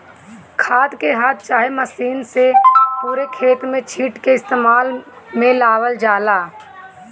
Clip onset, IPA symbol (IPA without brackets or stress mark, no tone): kʰ